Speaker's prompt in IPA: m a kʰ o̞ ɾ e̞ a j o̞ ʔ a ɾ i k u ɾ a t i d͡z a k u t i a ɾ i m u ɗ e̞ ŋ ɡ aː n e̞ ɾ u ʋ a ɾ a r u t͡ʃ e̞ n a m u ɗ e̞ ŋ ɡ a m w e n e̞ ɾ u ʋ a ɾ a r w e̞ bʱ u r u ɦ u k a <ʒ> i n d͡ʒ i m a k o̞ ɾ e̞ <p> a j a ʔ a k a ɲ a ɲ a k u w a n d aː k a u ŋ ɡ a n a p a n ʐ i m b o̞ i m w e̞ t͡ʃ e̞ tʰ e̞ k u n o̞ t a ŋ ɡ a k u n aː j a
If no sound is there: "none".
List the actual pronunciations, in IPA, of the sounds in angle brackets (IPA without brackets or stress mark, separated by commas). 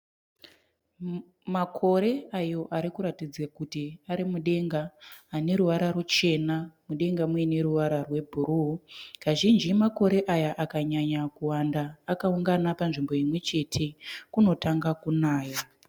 ʒ, ʔ